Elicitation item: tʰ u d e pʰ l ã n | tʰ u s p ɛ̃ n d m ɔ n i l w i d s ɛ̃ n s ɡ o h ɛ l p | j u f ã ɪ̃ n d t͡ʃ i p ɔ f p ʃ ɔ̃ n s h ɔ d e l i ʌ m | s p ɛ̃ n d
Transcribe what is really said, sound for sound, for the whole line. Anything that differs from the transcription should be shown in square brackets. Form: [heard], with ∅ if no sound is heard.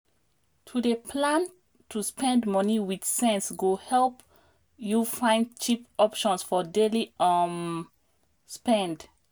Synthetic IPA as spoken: tʰ u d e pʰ l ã n | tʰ u s p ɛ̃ n d m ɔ n i [∅] w i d s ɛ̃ n s ɡ o h ɛ l p | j u f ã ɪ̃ n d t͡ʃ i p ɔ [∅] p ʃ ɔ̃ n s [f] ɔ d e l i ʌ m | s p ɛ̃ n d

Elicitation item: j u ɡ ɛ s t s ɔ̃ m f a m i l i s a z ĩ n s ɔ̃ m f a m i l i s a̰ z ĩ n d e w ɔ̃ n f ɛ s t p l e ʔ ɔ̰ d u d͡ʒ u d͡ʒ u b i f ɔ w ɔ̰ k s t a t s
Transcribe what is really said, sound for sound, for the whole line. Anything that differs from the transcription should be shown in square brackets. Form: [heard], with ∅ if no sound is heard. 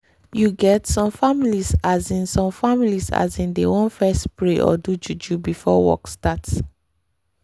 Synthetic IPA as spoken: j u ɡ ɛ [∅] t s ɔ̃ m f a m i l i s a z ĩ n s ɔ̃ m f a m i l i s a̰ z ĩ n d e w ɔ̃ n f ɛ s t p [ɹ] e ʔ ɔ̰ d u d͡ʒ u d͡ʒ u b i f ɔ w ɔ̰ k s t a t s

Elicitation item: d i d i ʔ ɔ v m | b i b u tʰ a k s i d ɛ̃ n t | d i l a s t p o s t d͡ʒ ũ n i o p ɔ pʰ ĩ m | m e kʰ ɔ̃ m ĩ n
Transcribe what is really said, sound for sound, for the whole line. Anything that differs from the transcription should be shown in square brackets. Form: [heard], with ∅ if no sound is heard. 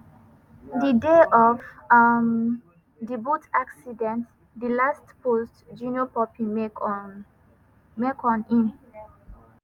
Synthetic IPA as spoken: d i d [e] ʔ ɔ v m | [d] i b u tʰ a k s i d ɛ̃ n t | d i l a s t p o s t d͡ʒ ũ n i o p ɔ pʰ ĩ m | m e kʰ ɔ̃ [n] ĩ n

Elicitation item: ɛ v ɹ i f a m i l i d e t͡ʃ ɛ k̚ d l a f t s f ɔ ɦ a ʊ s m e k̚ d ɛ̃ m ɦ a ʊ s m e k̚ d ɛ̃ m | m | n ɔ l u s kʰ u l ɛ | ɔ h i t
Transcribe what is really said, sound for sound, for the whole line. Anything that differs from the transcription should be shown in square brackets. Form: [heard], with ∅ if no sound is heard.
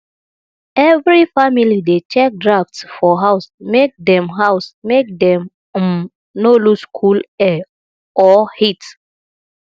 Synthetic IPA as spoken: ɛ v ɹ i f a m i l i d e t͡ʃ ɛ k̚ d [ɹ] a f t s f ɔ ɦ a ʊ s m e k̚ d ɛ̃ m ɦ a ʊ s m e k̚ d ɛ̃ m | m | n [o] l u s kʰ u l ɛ | ɔ h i t

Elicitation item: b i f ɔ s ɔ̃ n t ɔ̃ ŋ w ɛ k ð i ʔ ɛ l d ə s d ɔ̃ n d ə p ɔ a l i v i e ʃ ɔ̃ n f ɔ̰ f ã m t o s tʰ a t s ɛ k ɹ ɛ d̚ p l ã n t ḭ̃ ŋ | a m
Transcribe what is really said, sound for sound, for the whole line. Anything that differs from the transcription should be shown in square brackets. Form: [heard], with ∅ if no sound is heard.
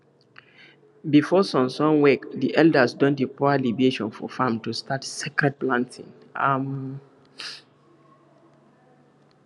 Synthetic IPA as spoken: b i f ɔ s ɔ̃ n [s] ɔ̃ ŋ w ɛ k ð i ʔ ɛ l d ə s d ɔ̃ n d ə p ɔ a l i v i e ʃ ɔ̃ n f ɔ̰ f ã m t [u] s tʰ a t s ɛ k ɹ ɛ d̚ p l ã n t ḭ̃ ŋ | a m

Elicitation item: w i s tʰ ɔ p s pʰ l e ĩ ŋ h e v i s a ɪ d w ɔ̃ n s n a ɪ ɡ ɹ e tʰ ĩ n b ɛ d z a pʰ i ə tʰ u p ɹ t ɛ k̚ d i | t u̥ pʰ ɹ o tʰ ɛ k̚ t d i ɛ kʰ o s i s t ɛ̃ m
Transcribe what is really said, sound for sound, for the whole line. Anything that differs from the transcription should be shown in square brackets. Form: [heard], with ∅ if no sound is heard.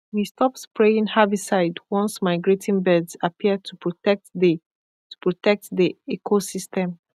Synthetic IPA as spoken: w i s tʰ ɔ p s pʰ [ɹ] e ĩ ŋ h [a] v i s a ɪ d w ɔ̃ n s [m] a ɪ ɡ ɹ e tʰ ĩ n b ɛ d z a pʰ i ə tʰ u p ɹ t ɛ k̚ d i | t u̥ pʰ ɹ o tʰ ɛ k̚ t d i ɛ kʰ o s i s t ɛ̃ m

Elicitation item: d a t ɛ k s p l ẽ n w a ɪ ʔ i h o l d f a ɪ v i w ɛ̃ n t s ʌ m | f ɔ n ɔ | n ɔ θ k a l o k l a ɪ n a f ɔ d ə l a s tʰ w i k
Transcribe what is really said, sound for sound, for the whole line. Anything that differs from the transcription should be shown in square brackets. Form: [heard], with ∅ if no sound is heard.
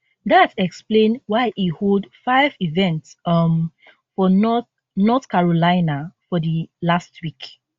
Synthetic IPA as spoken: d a t ɛ k s p l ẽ n w a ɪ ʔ i h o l d f a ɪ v i [v] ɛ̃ n t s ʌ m | f ɔ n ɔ | n ɔ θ k a [ɹ] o [∅] l a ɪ n a f ɔ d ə l a s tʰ w i k

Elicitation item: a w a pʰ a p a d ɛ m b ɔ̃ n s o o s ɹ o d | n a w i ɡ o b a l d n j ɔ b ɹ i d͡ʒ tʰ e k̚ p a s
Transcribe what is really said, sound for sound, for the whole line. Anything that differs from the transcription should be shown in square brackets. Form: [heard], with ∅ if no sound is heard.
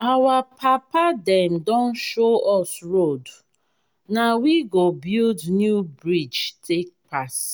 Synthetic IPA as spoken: a w a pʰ a p a d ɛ m [d] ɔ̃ n [ʃ] o [ɔ] s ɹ o d | n a w i ɡ o b [i] l d n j [u] b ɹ i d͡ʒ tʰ e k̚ p a s

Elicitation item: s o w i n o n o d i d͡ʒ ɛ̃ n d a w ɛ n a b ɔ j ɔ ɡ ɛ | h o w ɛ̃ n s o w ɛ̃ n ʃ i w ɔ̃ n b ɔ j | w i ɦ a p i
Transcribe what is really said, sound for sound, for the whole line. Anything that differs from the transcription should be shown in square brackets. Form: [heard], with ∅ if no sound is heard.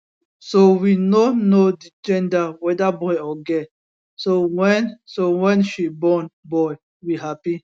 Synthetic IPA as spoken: s o w i n o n o d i d͡ʒ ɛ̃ n d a w ɛ [d] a b ɔ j ɔ ɡ ɛ | [s] o w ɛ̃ n s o w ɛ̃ n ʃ i [b] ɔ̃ n b ɔ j | w i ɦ a p i

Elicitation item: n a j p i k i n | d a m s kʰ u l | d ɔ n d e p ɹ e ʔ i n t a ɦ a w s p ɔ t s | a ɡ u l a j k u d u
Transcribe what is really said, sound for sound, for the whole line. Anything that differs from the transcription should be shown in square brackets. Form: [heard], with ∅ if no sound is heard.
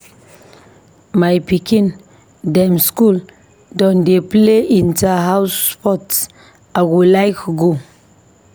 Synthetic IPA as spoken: [m] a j p i k i n | d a m s [k] u l | d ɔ n d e p [l] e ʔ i n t a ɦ a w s p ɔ t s | a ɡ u l a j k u [ɡ] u

